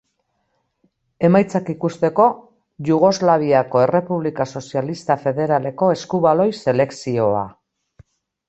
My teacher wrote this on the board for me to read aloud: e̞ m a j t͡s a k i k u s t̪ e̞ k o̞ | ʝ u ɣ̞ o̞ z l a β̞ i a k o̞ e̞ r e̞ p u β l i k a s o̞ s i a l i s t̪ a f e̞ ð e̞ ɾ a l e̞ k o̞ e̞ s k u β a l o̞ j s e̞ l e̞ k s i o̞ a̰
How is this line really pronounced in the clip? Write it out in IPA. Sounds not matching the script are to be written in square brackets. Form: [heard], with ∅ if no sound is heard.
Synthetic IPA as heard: e̞ m a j t͡s a k i k u s t̪ e̞ k o̞ | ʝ u ɣ̞ o̞ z l a β̞ i a k o̞ e̞ r e̞ p u β l i k a s o̞ s i a l i s t̪ a f e̞ ð e̞ ɾ a l e̞ k o̞ e̞ s k u β a l o̞ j s e̞ l e̞ k s i o̞ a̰